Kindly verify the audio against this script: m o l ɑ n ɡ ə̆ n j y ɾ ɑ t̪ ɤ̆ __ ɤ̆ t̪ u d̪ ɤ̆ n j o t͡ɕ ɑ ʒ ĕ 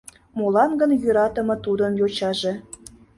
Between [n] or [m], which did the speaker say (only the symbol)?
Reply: m